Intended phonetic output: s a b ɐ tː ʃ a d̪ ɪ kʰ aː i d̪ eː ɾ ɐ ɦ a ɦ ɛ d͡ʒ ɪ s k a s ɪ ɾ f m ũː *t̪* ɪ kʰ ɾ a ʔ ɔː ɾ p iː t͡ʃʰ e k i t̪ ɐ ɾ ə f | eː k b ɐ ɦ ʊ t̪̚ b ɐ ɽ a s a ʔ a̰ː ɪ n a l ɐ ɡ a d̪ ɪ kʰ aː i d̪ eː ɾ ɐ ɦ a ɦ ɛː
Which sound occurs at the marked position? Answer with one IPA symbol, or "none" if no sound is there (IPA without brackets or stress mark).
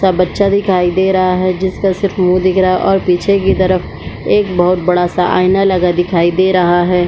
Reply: d̪